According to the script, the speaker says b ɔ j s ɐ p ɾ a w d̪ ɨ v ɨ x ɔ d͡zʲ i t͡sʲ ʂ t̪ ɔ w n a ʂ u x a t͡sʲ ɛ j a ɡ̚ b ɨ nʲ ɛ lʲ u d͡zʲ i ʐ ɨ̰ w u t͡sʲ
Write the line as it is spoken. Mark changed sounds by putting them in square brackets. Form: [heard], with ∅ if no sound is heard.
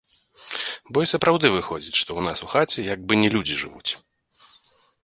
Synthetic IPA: b ɔ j s ɐ p ɾ a w d̪ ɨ v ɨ x ɔ d͡zʲ i t͡sʲ ʂ t̪ ɔ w n a [s] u x a t͡sʲ ɛ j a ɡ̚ b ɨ nʲ ɛ lʲ u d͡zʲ i ʐ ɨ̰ [v] u t͡sʲ